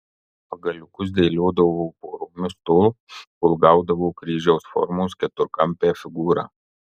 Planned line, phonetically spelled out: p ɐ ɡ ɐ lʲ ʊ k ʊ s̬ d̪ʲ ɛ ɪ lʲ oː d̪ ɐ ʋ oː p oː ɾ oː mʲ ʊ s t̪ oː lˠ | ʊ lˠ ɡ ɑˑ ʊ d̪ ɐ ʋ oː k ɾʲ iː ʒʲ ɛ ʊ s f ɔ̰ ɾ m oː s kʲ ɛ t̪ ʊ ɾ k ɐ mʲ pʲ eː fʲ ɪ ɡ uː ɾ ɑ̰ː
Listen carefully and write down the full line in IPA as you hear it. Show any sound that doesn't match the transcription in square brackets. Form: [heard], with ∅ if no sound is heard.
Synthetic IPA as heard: p ɐ ɡ ɐ lʲ ʊ k ʊ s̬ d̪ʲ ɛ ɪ lʲ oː d̪ ɐ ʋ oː p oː ɾ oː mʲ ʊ s t̪ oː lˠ | ʊ lˠ ɡ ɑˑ ʊ d̪ ɐ ʋ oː k ɾʲ iː ʒʲ ɛ ʊ s f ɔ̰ ɾ m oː s kʲ ɛ t̪ ʊ ɾ k ɐ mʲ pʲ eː fʲ ɪ ɡ uː ɾ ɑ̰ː